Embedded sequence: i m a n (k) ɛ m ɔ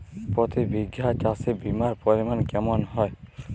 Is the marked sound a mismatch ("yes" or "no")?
no